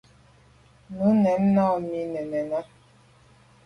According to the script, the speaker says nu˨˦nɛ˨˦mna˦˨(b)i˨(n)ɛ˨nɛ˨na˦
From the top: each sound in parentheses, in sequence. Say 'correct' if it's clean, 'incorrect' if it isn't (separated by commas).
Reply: incorrect, correct